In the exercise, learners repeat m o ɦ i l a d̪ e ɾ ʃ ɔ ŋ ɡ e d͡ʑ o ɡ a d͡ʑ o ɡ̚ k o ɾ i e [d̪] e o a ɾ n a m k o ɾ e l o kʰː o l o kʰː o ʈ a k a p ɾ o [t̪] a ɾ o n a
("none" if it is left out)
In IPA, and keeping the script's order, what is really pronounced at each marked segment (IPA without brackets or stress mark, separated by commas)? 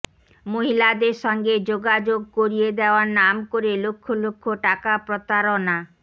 d̪, t̪